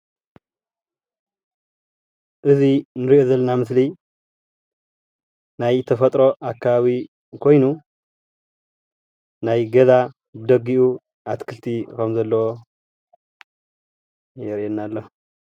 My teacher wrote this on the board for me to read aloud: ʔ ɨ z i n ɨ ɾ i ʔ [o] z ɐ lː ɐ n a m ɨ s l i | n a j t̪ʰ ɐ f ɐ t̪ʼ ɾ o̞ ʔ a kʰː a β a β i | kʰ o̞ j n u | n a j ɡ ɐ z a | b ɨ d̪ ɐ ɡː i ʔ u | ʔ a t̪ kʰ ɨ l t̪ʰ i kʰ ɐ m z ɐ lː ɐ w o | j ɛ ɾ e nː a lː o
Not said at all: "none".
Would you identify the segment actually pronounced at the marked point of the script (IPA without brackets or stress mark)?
o